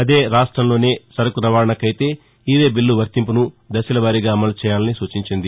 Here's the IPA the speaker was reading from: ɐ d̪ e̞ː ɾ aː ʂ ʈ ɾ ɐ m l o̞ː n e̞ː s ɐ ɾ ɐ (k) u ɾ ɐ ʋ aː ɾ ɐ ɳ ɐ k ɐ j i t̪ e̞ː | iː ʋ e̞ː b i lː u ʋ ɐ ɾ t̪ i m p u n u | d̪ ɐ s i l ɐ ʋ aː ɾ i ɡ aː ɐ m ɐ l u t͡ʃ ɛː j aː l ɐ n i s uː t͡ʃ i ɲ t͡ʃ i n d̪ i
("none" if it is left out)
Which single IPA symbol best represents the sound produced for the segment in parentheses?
k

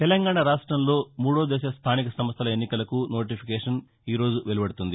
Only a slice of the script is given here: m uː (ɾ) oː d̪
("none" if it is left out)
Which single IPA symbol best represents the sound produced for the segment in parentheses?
ɽ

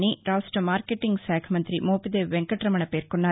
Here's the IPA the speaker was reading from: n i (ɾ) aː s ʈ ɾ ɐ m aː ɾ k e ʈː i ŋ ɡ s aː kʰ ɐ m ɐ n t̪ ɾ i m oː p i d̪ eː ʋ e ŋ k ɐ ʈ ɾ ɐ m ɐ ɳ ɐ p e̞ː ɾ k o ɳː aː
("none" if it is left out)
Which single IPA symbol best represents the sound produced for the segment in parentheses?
ɾ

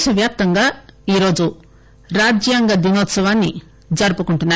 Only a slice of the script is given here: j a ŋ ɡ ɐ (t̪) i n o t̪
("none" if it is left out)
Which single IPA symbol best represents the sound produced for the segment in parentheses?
d̪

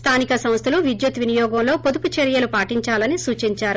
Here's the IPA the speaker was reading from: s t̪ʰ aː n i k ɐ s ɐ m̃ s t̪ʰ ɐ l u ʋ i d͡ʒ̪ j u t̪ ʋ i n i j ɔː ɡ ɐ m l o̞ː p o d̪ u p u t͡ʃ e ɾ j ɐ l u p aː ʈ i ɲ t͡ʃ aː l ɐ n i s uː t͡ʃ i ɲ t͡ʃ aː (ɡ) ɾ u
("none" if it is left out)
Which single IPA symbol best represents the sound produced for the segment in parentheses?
none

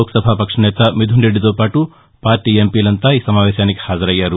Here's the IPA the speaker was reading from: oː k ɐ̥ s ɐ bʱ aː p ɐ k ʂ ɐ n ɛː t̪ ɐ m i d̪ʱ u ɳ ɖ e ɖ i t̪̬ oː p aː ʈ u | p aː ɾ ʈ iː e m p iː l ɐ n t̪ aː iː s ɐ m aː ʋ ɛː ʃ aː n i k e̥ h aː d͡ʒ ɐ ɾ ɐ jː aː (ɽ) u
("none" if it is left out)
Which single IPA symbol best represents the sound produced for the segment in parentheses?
ɾ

